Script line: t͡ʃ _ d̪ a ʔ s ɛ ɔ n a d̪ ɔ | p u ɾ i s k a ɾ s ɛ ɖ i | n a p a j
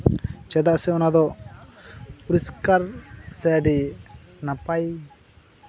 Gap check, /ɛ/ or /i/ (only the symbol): ɛ